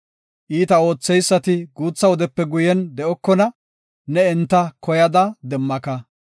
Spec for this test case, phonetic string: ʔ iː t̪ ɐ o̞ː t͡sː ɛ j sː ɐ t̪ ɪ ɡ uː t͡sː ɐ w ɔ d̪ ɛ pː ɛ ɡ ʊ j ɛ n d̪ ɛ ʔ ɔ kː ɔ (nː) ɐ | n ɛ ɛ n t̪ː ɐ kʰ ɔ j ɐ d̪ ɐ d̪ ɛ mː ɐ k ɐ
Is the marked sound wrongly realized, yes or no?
yes